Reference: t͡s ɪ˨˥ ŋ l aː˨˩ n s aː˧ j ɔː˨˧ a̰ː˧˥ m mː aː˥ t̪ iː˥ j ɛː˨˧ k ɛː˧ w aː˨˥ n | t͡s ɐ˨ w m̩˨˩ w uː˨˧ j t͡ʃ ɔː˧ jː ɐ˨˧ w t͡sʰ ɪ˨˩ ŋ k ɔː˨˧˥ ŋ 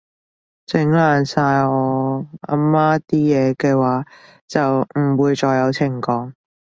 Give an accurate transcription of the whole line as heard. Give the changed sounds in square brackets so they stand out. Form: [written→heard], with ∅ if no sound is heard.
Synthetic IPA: t͡s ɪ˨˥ ŋ l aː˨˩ n s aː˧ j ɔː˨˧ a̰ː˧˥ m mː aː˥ t̪ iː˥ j ɛː˨˧ k ɛː˧ w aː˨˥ [n→∅] | t͡s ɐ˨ w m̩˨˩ w uː˨˧ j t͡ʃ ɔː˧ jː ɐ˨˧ w t͡sʰ ɪ˨˩ ŋ k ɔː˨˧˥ ŋ